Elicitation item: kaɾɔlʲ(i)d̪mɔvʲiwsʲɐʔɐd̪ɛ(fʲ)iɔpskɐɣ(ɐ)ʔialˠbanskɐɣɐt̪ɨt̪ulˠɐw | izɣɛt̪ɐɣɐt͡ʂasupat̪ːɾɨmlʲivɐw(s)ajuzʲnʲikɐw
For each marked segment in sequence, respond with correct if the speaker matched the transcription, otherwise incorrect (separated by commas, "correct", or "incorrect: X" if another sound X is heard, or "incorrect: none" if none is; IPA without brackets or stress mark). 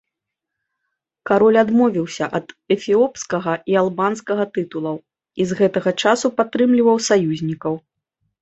incorrect: a, correct, correct, correct